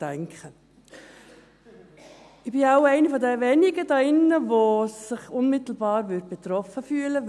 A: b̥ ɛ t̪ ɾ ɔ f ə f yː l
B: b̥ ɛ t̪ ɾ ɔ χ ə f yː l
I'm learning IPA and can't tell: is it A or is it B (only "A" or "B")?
A